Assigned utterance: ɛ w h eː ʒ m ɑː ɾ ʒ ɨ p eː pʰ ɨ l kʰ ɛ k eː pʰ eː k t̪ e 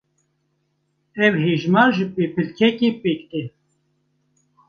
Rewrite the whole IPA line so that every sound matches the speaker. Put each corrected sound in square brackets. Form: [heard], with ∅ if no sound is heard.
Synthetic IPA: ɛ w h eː ʒ m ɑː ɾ ʒ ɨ p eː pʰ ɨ l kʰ ɛ k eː [p] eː k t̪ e

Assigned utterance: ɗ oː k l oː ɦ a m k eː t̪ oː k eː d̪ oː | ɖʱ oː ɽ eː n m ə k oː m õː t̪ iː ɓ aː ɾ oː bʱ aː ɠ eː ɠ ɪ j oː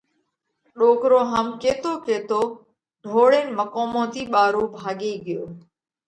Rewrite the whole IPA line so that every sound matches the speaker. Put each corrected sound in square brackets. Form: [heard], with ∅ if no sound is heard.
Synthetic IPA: ɗ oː k [ɾ] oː ɦ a m k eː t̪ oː k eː [t̪] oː | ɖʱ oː ɽ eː n m ə k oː m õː t̪ iː ɓ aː ɾ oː bʱ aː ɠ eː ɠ ɪ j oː

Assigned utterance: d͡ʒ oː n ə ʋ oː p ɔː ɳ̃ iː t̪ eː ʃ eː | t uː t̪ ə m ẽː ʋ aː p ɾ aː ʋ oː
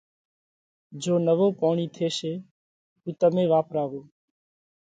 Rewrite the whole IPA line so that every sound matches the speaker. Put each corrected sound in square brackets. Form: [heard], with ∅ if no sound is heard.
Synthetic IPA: d͡ʒ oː n ə ʋ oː p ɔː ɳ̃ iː [t̪ʰ] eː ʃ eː | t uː t̪ ə m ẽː ʋ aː p ɾ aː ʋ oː

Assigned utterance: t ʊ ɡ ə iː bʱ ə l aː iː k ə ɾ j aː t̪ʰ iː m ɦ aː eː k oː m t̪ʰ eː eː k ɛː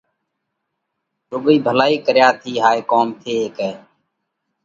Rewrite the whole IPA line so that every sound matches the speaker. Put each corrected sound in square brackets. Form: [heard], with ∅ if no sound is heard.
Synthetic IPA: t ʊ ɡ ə iː bʱ ə l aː iː k ə ɾ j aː t̪ʰ iː [∅] ɦ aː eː k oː m t̪ʰ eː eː k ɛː

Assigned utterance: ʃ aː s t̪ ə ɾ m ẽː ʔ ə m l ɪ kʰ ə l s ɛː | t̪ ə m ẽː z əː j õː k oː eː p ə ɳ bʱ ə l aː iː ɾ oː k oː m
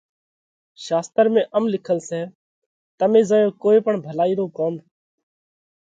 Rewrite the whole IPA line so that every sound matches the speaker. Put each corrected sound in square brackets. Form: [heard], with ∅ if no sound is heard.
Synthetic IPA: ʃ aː s t̪ ə ɾ m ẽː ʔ ə m l ɪ kʰ ə l s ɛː | t̪ ə m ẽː z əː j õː k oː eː p ə ɳ bʱ ə l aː iː ɾ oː k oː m

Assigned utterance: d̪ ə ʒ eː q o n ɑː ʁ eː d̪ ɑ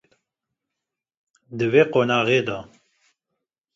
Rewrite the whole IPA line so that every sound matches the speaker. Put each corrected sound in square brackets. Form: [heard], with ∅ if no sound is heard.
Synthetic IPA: d̪ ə [v] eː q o n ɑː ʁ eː d̪ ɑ

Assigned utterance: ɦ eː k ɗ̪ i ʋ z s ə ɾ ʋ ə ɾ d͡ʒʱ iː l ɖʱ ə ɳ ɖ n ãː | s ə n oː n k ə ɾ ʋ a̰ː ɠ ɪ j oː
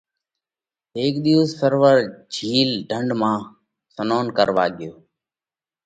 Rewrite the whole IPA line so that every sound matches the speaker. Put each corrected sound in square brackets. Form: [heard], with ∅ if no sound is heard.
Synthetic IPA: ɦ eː k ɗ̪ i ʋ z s ə ɾ ʋ ə ɾ d͡ʒʱ iː l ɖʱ ə ɳ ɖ [m] ãː | s ə n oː n k ə ɾ ʋ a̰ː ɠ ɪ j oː

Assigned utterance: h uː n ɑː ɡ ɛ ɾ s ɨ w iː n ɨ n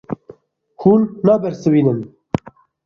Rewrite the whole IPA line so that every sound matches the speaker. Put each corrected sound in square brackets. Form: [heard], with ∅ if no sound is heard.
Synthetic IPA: h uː [nː] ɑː [b] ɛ ɾ s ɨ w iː n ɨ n

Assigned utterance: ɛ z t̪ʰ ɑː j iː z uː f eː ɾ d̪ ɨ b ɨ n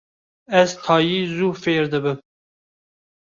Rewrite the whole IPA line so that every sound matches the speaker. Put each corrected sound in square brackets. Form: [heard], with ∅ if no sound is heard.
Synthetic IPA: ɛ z t̪ʰ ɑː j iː z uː f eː ɾ d̪ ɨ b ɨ [m]

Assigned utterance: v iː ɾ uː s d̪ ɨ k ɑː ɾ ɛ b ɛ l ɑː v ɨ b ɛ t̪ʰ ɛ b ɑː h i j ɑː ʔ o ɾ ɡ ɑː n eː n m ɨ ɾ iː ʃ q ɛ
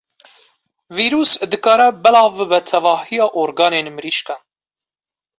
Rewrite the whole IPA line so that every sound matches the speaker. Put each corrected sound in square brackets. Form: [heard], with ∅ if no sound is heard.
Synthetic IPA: v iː ɾ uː s d̪ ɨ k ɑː ɾ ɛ b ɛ l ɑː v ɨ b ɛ t̪ʰ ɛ [v] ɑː h i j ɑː ʔ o ɾ ɡ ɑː n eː n m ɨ ɾ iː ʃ [k] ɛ

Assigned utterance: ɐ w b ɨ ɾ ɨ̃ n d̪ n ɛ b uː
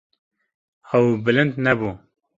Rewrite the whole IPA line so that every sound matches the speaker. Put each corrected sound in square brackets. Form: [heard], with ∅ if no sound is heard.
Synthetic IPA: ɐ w b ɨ [l] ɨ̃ n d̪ n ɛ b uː

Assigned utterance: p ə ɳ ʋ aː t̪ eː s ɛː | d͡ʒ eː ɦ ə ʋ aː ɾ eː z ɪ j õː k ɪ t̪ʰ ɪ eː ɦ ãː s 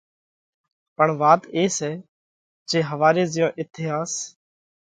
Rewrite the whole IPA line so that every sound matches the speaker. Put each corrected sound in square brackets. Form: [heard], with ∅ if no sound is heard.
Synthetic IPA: p ə ɳ ʋ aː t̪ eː s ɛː | d͡ʒ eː ɦ ə ʋ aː ɾ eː z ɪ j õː [ʔ] ɪ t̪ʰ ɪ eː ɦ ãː s

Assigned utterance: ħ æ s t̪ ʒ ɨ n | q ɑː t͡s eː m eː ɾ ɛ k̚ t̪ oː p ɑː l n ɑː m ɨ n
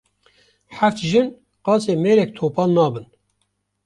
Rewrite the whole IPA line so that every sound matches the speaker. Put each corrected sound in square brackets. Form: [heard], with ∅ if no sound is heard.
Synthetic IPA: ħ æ [f] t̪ ʒ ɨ n | q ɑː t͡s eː m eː ɾ ɛ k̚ [t̪ʰ] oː p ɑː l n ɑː [b] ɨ n

